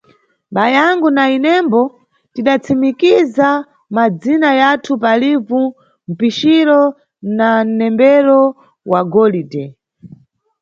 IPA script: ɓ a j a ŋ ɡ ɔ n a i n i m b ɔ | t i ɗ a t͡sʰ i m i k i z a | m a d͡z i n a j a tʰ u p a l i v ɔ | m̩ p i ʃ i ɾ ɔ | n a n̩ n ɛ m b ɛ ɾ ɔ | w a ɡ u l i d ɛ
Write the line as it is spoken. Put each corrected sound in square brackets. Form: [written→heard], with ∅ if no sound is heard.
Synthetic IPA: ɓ a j a ŋ ɡ [ɔ→u] n a i n [i→ɛ] m b ɔ | t i ɗ a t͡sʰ i m i k i z a | m a d͡z i n a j a tʰ u p a l i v [ɔ→u] | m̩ p i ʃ i ɾ ɔ | n a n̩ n ɛ m b ɛ ɾ ɔ | w a ɡ [u→ɔ] l i d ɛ